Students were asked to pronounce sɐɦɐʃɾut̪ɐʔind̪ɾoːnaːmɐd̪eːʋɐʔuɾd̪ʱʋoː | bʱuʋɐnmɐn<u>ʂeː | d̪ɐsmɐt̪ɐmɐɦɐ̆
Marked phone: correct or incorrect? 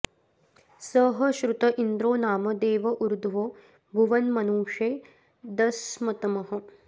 incorrect